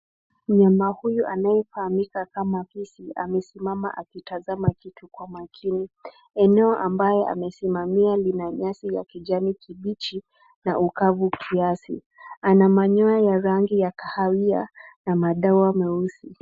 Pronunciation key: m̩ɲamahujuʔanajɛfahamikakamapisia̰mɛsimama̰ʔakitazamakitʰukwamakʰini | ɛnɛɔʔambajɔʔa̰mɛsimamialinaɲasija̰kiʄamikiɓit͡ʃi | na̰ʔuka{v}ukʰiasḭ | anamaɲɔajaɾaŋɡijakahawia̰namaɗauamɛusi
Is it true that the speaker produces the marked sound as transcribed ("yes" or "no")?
yes